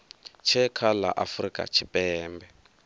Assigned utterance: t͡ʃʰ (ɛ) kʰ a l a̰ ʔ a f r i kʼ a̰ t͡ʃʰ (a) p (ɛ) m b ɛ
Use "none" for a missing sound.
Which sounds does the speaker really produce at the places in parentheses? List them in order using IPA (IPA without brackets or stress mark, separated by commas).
ɛ, i, ɛː